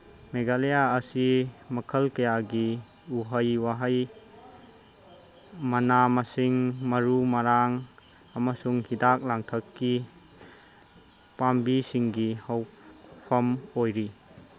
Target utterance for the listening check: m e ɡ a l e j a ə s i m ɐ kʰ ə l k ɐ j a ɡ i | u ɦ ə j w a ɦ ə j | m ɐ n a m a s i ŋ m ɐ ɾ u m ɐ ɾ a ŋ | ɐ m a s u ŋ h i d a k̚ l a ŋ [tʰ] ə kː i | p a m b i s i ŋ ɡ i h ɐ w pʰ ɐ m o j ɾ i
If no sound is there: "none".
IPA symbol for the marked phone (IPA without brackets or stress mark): tʰ